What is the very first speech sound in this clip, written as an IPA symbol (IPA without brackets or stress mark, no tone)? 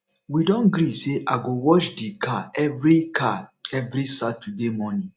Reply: w